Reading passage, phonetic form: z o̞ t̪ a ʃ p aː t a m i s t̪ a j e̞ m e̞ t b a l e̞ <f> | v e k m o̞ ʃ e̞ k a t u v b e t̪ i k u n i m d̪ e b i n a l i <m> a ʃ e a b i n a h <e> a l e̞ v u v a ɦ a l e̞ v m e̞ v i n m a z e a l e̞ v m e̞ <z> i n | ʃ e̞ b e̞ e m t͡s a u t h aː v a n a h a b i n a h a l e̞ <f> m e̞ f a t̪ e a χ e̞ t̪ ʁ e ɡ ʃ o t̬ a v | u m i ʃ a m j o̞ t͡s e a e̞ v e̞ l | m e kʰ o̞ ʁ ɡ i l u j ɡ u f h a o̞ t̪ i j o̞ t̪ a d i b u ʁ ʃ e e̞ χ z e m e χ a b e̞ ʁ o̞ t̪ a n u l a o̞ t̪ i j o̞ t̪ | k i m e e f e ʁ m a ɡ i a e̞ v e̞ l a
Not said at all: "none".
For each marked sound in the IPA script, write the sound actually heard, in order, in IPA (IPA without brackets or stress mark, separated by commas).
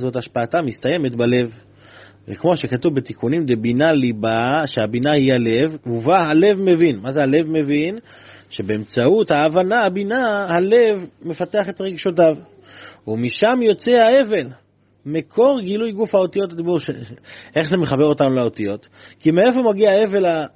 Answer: v, b, i, v, v